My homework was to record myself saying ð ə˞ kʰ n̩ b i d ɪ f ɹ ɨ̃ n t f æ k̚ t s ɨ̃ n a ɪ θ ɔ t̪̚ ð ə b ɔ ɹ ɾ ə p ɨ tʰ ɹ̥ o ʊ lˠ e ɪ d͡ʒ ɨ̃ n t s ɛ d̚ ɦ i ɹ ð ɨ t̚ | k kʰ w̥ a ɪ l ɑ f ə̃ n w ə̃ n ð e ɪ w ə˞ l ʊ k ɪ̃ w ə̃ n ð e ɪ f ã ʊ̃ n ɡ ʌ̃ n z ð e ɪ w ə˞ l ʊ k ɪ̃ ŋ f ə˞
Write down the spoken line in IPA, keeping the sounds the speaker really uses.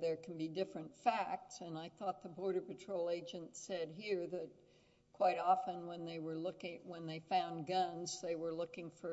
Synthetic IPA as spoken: ð ə˞ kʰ n̩ b i d ɪ f ɹ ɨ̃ n t f æ k̚ t s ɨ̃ n a ɪ θ ɔ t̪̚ ð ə b ɔ ɹ ɾ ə p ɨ tʰ ɹ̥ o ʊ lˠ e ɪ d͡ʒ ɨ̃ n t s ɛ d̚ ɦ i ɹ ð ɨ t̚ | k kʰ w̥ a ɪ ɾ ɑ f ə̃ n w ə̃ n ð e ɪ w ə˞ l ʊ k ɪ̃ w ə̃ n ð e ɪ f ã ʊ̃ n ɡ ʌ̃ n z ð e ɪ w ə˞ l ʊ k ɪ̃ ŋ f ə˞